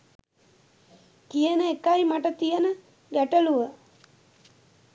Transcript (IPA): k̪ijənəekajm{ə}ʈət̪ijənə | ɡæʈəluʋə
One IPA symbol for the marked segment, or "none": a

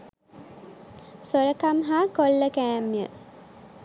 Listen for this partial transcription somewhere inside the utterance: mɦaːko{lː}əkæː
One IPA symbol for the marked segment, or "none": lː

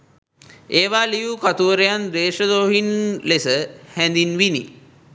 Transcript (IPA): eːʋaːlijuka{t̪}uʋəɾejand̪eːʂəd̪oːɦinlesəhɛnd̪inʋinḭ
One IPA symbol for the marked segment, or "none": t̪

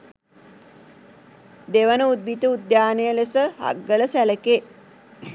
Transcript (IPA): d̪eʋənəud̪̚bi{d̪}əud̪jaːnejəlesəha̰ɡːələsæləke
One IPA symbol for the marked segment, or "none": t̪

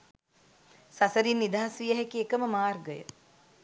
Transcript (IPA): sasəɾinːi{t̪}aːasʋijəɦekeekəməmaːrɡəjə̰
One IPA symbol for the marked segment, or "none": d̪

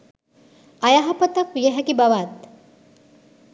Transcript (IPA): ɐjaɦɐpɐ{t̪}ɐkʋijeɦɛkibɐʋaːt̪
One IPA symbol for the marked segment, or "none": t̪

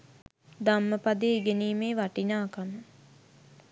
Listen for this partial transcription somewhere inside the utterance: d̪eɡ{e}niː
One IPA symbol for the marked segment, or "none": e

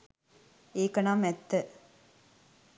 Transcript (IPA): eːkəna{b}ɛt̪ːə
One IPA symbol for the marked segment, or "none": m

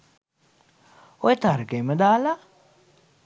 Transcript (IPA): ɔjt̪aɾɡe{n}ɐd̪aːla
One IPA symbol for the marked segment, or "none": m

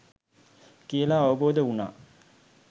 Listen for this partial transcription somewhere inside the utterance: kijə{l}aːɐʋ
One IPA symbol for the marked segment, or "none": l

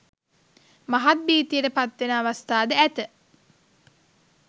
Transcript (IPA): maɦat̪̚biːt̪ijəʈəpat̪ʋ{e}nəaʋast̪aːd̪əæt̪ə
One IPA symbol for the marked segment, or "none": e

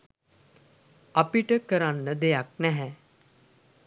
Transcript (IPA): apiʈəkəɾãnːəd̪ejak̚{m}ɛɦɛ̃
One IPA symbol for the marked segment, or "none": n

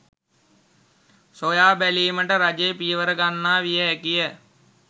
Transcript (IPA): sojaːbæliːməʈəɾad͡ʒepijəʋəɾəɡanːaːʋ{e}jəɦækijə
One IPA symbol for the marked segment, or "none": i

